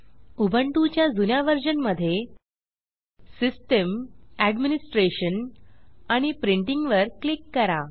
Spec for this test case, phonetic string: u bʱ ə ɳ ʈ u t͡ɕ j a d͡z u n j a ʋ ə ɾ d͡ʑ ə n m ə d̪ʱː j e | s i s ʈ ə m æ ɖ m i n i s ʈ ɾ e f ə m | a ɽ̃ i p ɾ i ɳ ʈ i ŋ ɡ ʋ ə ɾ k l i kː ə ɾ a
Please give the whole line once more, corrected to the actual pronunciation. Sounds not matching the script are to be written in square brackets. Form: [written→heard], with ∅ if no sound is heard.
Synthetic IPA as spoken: u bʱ ə ɳ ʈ u t͡ɕ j a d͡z u n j a ʋ ə ɾ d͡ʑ ə n m ə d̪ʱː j e | s i s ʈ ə m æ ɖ m i n i s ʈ ɾ e [f→ɕ] ə [m→n] | a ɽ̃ i p ɾ i ɳ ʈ i ŋ ɡ ʋ ə ɾ k l i kː ə ɾ a